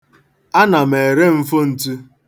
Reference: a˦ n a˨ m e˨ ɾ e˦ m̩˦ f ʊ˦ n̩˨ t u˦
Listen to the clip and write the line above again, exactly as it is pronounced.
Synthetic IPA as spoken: a˦ n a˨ m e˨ ɾ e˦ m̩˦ f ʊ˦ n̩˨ t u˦